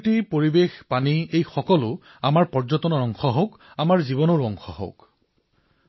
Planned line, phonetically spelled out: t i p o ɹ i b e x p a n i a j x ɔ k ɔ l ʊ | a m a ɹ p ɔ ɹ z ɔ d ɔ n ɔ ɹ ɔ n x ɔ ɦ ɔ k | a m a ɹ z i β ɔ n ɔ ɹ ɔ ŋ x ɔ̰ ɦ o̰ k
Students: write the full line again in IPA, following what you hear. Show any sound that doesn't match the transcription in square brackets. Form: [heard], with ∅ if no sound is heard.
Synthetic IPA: t i p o ɹ i b e x p a n i [e] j x ɔ k ɔ l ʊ | a m a ɹ p ɔ ɹ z ɔ [t] ɔ n ɔ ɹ ɔ [ŋ] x ɔ ɦ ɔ k | a m a ɹ z i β ɔ n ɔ ɹ ɔ ŋ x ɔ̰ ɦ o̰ k